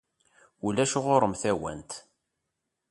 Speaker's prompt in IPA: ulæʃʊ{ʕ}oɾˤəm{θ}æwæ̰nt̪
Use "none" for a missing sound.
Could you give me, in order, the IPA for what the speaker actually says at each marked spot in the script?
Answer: ʁ, θ

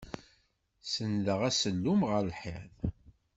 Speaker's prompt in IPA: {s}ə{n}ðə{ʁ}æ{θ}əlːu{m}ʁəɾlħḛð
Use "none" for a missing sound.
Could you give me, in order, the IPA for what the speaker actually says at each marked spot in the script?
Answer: s, n, ʁ, s, m

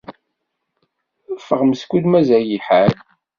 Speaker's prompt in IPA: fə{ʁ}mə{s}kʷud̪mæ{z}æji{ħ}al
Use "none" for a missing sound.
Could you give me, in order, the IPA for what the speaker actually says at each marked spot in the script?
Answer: ʁ, s, z, ħ

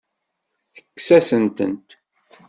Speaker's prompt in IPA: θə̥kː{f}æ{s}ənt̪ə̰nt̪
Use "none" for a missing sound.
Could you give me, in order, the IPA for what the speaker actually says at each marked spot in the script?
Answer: s, s

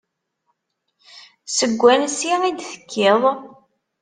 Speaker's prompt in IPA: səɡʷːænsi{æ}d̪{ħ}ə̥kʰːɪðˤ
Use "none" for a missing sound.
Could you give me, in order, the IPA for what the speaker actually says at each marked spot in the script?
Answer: i, θ

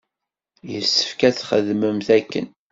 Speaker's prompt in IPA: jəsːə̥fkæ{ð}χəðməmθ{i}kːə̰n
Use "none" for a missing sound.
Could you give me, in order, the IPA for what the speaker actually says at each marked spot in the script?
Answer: θ, æ

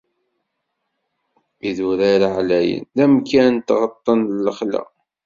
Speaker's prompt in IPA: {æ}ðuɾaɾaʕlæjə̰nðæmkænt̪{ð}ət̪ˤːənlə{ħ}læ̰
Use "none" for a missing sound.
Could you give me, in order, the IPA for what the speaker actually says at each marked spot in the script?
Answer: i, ʁ, χ

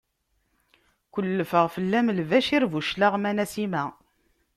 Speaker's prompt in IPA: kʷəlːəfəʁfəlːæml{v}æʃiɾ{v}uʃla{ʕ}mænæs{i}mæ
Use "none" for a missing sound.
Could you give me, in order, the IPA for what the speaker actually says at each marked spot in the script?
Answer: v, v, ʁ, i

